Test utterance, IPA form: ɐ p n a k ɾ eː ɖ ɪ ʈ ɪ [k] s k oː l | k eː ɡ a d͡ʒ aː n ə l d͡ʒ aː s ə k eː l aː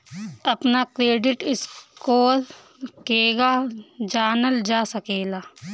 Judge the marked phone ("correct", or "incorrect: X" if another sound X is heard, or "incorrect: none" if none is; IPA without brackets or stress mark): incorrect: none